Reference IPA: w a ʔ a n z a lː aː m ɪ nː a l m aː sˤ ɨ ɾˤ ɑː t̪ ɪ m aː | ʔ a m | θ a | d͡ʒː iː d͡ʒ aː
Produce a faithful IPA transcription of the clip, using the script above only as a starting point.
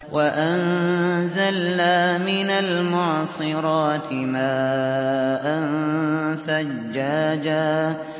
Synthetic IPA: w a ʔ a n z a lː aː m ɪ n a l m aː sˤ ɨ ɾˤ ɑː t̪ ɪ m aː | ʔ a n | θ a | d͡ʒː aː d͡ʒ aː